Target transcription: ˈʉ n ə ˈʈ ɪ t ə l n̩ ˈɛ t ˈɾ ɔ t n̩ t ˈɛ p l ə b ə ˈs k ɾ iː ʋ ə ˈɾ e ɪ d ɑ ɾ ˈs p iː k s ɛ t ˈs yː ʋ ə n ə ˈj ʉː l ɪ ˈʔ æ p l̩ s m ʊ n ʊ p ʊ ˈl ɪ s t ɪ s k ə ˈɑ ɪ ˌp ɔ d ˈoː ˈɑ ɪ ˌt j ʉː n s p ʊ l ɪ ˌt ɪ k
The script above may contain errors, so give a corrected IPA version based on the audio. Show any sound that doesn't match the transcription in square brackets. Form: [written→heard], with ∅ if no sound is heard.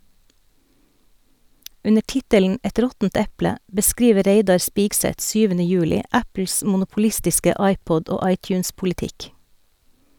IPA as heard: ˈʉ n ə ˈʈ ɪ t ə l n̩ ˈɛ t ˈɾ ɔ t n̩ t ˈɛ p l ə b ə ˈs k ɾ iː ʋ ə ˈɾ e ɪ d ɑ ɾ ˈs p iː k s ɛ t ˈs yː ʋ ə n ə ˈj ʉː l ɪ ˈʔ æ p l̩ s m ʊ n ʊ p ʊ ˈl ɪ s t ɪ s k ə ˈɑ ɪ ˌp ɔ d ˈoː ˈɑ ɪ ˌt j ʉː n s p ʊ l ɪ ˌt ɪ k